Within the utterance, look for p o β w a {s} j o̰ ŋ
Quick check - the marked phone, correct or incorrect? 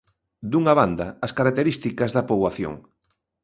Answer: incorrect